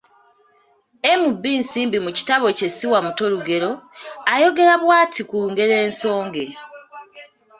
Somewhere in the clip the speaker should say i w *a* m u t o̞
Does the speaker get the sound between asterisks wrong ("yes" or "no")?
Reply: no